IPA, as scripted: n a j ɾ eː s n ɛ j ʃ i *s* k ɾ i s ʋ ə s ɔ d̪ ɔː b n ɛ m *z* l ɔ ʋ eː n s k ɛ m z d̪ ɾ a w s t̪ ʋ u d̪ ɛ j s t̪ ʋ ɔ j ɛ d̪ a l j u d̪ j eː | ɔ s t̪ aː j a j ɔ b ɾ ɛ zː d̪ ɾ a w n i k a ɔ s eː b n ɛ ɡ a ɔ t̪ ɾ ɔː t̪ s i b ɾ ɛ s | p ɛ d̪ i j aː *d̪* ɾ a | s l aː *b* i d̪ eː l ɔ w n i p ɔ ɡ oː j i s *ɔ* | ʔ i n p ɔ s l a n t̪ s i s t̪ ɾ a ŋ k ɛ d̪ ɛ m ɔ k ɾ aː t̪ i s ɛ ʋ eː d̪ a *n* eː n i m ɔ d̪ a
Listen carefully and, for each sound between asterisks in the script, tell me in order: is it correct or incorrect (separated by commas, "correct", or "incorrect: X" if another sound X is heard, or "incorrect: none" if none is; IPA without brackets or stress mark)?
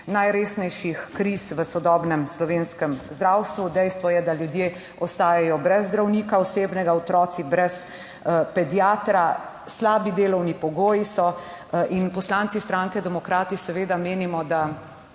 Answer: incorrect: x, incorrect: s, incorrect: t̪, correct, correct, incorrect: m